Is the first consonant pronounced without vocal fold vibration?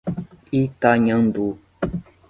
yes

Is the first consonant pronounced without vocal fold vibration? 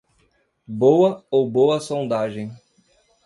no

